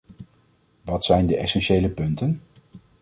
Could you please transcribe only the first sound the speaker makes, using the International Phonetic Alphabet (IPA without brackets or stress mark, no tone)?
ʋ